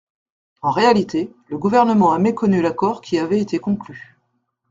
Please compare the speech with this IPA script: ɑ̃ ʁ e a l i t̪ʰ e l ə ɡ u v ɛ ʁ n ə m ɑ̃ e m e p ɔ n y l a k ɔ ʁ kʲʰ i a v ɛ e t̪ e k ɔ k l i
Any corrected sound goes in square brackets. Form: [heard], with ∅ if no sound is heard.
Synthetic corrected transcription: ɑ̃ ʁ e a l i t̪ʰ e l ə ɡ u v ɛ ʁ n ə m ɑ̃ [a] m e [k] ɔ n y l a k ɔ ʁ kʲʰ i a v ɛ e t̪ e k [ɔ̃] k l [y]